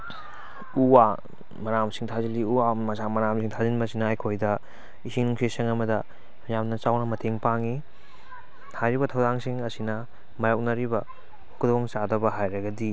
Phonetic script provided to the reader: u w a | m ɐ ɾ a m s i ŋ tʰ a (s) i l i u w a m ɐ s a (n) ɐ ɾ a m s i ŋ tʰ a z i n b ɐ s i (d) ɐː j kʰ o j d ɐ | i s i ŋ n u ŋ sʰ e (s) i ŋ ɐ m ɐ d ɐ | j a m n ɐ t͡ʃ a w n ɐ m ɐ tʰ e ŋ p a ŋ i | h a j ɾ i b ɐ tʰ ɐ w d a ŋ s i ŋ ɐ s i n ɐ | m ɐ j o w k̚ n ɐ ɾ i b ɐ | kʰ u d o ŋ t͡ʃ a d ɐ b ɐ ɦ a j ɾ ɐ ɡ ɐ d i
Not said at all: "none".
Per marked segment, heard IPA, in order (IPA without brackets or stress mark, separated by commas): z, m, n, s